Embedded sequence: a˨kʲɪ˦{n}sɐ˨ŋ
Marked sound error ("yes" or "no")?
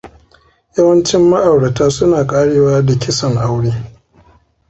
yes